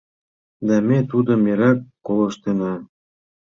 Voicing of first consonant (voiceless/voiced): voiced